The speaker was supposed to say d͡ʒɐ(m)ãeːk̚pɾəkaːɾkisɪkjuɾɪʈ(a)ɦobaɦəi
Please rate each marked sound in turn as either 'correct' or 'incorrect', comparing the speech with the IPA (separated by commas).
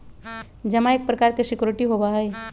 correct, incorrect